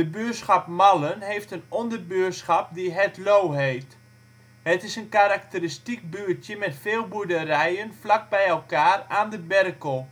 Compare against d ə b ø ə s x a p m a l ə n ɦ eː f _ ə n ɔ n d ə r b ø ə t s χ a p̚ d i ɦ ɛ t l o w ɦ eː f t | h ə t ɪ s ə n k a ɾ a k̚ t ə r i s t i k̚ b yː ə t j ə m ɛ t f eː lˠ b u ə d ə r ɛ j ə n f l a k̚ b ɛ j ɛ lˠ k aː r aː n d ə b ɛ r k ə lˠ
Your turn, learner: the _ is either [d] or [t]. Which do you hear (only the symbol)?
t